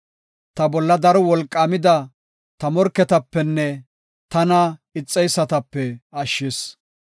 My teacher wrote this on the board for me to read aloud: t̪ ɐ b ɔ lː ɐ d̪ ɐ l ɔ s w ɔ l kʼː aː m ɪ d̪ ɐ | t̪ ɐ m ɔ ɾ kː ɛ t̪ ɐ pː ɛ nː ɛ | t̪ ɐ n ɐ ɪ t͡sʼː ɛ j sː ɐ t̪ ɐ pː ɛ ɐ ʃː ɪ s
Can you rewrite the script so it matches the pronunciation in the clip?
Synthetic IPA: t̪ ɐ b ɔ lː ɐ d̪ ɐ ɾ ɔ w ɔ l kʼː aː m ɪ d̪ ɐ | t̪ ɐ m ɔ ɾ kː ɛ t̪ ɐ pː ɛ nː ɛ | t̪ ɐ n ɐ ɪ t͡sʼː ɛ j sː ɐ t̪ ɐ pː ɛ ɐ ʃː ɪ s